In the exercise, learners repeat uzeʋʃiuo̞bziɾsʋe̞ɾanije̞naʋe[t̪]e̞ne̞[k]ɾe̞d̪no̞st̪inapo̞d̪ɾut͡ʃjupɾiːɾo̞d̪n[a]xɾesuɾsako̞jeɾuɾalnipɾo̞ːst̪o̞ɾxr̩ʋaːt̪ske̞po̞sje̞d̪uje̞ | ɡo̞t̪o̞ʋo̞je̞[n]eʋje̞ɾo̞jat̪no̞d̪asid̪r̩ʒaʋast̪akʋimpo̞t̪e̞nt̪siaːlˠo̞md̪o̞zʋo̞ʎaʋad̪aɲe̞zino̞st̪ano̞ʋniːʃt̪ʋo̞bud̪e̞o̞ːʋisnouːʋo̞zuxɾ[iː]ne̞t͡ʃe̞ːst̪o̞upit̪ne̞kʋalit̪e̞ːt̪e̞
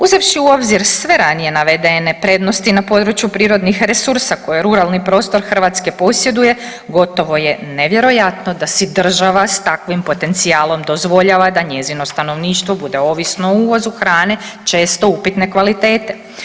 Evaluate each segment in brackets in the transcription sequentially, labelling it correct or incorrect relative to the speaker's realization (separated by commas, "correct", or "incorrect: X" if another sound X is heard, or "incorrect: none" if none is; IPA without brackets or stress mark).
incorrect: d̪, incorrect: p, incorrect: i, correct, incorrect: aː